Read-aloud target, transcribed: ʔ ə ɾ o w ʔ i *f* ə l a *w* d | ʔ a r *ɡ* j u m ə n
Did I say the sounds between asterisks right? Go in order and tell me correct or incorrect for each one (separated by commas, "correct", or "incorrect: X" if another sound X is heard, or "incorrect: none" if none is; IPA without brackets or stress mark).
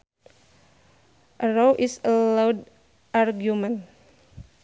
incorrect: s, correct, correct